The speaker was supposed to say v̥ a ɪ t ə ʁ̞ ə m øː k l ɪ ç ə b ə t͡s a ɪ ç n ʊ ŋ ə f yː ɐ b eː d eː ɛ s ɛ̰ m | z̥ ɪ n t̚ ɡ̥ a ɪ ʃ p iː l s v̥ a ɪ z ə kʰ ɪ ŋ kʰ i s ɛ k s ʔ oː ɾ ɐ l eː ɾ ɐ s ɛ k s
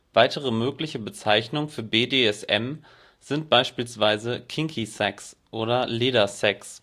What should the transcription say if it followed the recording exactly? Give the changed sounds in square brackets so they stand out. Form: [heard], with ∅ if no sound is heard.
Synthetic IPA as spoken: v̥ a ɪ t ə ʁ̞ ə m øː k l ɪ ç ə b ə t͡s a ɪ ç n ʊ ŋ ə f yː ɐ b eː d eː ɛ s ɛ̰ m | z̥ ɪ n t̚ [b̥] a ɪ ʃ p iː l s v̥ a ɪ z ə kʰ ɪ ŋ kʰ i s ɛ k s ʔ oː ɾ ɐ l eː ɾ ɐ s ɛ k s

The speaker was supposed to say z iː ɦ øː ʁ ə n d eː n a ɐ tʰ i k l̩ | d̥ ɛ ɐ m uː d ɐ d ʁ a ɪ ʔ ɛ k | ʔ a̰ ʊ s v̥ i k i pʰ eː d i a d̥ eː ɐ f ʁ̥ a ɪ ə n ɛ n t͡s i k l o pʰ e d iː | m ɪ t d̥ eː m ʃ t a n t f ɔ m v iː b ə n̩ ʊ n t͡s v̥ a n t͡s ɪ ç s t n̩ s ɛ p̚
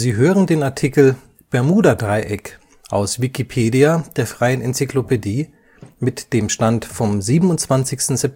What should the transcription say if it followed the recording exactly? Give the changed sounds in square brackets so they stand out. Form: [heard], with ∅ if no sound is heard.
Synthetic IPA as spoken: z iː ɦ øː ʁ ə n d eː n a ɐ tʰ i k l̩ | [b̥] ɛ ɐ m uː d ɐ d ʁ a ɪ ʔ ɛ k | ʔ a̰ ʊ s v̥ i k i pʰ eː d i a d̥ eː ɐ f ʁ̥ a ɪ ə n ɛ n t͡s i k l o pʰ e d iː | m ɪ t d̥ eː m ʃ t a n t f ɔ m [z] iː b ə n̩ ʊ n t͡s v̥ a n t͡s ɪ ç s t n̩ [z] ɛ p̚

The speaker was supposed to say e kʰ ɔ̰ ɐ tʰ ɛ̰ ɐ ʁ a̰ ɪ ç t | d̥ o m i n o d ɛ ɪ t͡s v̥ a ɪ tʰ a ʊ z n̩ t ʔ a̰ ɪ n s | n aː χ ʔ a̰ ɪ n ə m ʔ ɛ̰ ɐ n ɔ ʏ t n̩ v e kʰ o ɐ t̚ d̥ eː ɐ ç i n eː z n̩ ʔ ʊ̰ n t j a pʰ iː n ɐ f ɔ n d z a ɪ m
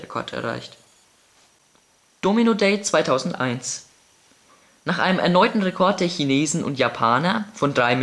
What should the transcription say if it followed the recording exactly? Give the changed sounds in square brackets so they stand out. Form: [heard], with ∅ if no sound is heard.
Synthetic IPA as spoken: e kʰ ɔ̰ ɐ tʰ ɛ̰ ɐ ʁ a̰ ɪ ç t | d̥ o m i n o d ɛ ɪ t͡s v̥ a ɪ tʰ a ʊ z n̩ t ʔ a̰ ɪ n s | n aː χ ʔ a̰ ɪ n ə m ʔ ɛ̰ ɐ n ɔ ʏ t n̩ [ʁ] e kʰ [ɔ] ɐ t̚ d̥ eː ɐ ç i n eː z n̩ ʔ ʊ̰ n t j a pʰ [aː] n ɐ f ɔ n d [ʁ] a ɪ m

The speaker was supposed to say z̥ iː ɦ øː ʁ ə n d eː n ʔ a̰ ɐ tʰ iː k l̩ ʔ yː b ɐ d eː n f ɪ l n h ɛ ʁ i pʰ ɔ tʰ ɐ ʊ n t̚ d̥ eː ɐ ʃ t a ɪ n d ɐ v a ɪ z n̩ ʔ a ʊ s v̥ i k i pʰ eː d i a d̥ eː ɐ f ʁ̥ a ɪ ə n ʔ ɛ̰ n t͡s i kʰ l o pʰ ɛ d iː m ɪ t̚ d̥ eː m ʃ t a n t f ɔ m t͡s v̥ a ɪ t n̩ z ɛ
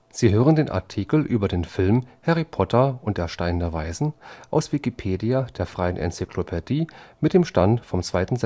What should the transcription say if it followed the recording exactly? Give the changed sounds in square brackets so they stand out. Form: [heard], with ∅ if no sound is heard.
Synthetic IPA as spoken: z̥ iː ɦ øː ʁ ə n d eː n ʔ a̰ ɐ tʰ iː k l̩ ʔ yː b ɐ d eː n f ɪ l [m] h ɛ ʁ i pʰ ɔ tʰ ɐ ʊ n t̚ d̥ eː ɐ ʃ t a ɪ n d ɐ v a ɪ z n̩ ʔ a ʊ s v̥ i k i pʰ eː d i a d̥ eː ɐ f ʁ̥ a ɪ ə n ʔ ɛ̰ n t͡s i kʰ l o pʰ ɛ d iː m ɪ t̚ d̥ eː m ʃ t a n t f ɔ m t͡s v̥ a ɪ t n̩ z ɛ

